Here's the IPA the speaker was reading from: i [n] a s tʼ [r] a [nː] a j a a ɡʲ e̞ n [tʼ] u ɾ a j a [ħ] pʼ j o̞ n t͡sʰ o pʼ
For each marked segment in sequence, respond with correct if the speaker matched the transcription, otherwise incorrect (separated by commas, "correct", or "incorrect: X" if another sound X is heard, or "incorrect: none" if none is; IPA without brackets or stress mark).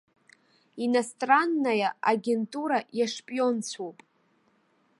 correct, correct, correct, correct, incorrect: ʂ